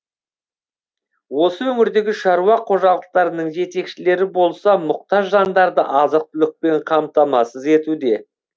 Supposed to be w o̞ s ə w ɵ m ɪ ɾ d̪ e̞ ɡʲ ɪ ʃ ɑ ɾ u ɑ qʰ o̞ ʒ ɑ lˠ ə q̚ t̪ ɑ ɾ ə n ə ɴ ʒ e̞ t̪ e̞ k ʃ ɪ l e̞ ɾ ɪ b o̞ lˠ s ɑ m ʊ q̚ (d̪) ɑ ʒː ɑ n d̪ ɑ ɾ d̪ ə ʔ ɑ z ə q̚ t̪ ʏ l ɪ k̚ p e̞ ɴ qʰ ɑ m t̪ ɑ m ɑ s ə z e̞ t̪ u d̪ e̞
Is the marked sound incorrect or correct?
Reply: incorrect